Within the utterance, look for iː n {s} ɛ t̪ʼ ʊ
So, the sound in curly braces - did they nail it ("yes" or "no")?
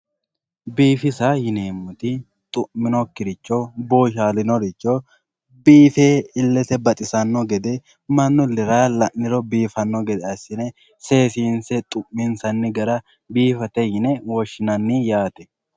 yes